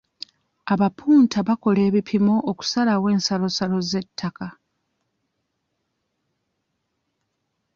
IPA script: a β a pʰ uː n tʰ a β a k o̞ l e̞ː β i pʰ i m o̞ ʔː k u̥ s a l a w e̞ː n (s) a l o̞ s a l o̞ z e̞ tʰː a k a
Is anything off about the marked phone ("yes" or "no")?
no